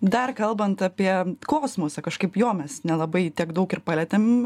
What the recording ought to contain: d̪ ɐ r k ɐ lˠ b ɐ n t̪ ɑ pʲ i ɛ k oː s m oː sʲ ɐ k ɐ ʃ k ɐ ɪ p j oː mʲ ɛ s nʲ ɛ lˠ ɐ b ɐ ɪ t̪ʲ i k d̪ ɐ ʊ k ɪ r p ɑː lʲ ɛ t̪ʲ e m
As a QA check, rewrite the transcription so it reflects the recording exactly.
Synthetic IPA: d̪ ɐ r k ɐ lˠ b ɐ n t̪ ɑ pʲ i ɛ k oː s m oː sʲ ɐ k ɐ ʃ k ɐ ɪ p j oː mʲ ɛ s nʲ ɛ lˠ ɐ b ɐ ɪ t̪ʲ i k d̪ ɐ ʊ k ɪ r p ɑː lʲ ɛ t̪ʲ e m